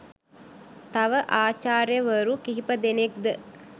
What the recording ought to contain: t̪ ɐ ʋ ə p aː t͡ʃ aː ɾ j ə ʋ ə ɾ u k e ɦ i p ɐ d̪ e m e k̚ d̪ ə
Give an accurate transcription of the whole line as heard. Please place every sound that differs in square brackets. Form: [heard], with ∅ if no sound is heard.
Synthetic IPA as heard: t̪ ɐ ʋ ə [ʔ] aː t͡ʃ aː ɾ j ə ʋ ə ɾ u k [i] ɦ i p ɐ d̪ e [n] e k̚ d̪ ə